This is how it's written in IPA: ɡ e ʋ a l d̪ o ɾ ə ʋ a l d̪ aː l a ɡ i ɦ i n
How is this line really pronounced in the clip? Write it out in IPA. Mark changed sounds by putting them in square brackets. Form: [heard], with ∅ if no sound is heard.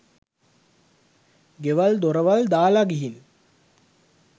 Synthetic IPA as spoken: ɡ e ʋ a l d̪ o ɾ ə ʋ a l d̪ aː l a ɡ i ɦ i n